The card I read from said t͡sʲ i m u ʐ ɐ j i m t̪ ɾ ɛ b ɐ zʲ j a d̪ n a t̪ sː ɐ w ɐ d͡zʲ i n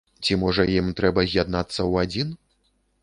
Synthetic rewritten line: t͡sʲ i m ɔ ʐ ɐ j i m t̪ ɾ ɛ b ɐ zʲ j a d̪ n a t̪ sː ɐ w a d͡zʲ i n